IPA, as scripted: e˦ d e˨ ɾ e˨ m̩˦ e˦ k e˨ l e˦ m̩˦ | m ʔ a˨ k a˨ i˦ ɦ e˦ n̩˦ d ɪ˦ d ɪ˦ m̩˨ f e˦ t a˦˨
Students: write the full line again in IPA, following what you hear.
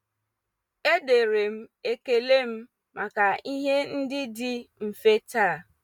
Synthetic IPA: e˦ d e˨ ɾ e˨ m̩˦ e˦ k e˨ l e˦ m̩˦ | m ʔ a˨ k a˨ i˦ ɦ e˦ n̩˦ d ɪ˦ d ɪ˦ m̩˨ f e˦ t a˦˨